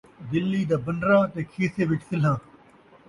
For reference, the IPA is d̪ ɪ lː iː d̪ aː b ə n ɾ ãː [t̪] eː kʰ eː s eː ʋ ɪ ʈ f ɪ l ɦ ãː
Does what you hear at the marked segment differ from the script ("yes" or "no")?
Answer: no